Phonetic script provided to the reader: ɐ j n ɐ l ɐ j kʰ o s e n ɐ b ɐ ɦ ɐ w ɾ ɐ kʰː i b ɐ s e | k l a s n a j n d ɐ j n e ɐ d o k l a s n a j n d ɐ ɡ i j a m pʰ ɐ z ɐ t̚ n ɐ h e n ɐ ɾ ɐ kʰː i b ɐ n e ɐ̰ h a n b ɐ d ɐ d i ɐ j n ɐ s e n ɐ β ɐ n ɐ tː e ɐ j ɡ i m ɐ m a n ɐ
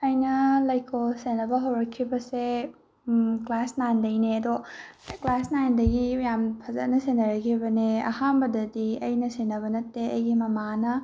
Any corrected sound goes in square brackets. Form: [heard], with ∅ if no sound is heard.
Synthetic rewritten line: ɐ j n ɐ l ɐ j kʰ o s e n ɐ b ɐ ɦ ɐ w ɾ ɐ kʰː i b ɐ s e | k l a s n a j n d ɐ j n e ɐ d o k l a s n a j n d ɐ ɡ i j a m pʰ ɐ z ɐ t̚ n ɐ [s] e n ɐ ɾ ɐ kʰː i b ɐ n e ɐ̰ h a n b ɐ d ɐ d i ɐ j n ɐ s e n ɐ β ɐ n ɐ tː e ɐ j ɡ i m ɐ m a n ɐ